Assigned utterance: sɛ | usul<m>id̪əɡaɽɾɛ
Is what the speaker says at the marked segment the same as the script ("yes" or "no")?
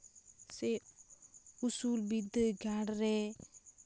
no